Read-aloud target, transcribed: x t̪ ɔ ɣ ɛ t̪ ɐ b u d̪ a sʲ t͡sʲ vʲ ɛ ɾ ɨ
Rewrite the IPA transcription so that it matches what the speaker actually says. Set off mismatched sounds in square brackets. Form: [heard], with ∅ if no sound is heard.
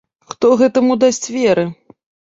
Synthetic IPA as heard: x t̪ ɔ ɣ ɛ t̪ ɐ [m] u d̪ a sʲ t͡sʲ vʲ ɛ ɾ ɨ